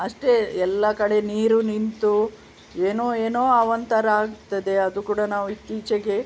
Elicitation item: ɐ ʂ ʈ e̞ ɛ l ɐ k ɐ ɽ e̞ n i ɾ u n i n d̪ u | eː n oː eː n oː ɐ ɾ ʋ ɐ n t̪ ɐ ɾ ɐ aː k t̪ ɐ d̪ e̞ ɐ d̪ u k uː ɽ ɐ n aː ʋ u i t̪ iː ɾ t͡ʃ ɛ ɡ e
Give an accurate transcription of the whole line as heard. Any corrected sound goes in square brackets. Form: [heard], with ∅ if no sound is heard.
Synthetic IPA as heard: ɐ ʂ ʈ e̞ ɛ [lː] ɐ k ɐ ɽ e̞ n [iː] ɾ u n i n [t̪] u | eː n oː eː n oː ɐ [∅] ʋ ɐ n t̪ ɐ ɾ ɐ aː [ɡ] t̪ ɐ d̪ e̞ ɐ d̪ u k uː ɽ ɐ n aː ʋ u i t̪ iː [∅] t͡ʃ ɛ ɡ e